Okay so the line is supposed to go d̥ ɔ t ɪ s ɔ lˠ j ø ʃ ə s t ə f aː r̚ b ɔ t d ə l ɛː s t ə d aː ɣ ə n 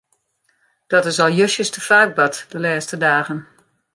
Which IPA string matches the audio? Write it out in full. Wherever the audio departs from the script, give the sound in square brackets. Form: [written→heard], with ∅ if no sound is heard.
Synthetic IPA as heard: d̥ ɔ t ɪ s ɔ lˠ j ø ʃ ə s t ə f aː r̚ b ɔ t d ə l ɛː s t ə d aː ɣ ə n